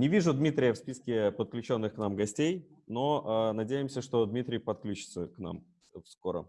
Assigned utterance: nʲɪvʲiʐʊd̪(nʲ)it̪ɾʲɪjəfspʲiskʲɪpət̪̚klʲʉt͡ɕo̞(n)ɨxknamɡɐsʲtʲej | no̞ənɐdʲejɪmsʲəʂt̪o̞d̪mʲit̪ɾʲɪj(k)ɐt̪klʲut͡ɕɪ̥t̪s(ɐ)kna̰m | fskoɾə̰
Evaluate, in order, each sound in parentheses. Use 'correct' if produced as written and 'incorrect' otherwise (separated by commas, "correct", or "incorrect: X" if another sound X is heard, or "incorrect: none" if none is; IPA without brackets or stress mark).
incorrect: mʲ, incorrect: nː, incorrect: p, incorrect: ə